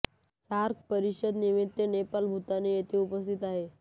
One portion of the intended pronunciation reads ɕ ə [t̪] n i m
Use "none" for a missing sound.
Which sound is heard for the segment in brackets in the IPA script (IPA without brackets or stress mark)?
d̪